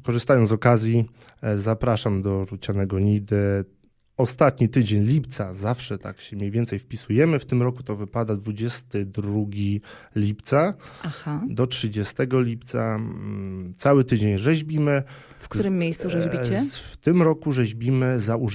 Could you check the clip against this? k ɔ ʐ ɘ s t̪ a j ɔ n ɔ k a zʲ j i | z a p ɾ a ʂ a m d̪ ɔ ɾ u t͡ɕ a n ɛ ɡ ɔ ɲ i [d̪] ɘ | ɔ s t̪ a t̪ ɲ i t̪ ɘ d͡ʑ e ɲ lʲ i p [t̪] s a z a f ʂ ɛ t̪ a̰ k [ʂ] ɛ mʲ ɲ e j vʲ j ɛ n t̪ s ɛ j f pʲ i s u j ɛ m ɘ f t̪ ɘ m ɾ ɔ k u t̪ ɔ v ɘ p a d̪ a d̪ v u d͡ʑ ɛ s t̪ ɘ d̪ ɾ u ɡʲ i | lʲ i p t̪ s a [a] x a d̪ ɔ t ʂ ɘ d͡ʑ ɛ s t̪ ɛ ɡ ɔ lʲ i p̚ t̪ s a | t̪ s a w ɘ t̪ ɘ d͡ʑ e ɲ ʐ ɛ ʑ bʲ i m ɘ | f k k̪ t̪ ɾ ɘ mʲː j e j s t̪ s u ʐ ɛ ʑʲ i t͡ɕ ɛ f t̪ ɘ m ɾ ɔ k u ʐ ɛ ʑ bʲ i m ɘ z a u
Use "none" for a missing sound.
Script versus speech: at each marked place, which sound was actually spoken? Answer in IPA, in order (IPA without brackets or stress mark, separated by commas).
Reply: d̪, t̪, ɕ, a